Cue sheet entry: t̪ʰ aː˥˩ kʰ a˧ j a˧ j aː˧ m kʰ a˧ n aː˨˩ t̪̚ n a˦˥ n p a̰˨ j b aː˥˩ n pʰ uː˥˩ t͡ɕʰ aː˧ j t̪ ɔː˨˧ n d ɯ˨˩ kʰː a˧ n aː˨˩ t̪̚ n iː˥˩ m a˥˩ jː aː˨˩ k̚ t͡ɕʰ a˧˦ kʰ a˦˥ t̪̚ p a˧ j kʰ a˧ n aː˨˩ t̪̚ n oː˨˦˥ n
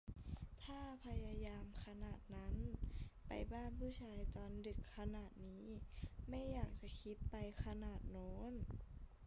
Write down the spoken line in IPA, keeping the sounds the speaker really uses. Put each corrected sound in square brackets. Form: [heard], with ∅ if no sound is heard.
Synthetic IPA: t̪ʰ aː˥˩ [pʰ] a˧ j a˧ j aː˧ m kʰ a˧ n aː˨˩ t̪̚ n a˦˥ n p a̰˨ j b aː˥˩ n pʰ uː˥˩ t͡ɕʰ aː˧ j t̪ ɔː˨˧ n d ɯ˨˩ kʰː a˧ n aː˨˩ t̪̚ n [iː˦˥] m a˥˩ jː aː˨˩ k̚ [t͡ɕ] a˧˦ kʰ [i˦˥] t̪̚ p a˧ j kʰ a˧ n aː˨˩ t̪̚ n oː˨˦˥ n